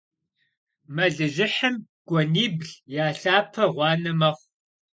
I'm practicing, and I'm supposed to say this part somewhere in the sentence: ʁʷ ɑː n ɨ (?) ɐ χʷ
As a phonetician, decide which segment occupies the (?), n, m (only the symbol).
m